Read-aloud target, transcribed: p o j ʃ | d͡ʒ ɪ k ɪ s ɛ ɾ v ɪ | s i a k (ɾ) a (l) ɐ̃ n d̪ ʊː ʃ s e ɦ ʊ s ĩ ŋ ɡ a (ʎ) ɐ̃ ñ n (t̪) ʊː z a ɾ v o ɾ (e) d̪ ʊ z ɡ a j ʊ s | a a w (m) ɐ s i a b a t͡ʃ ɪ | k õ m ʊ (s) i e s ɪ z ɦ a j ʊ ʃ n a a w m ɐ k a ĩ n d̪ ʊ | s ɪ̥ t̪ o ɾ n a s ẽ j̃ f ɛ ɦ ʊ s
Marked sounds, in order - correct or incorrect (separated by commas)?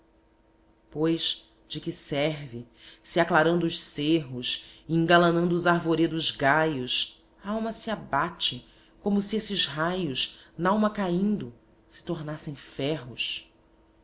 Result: incorrect, incorrect, incorrect, incorrect, correct, correct, correct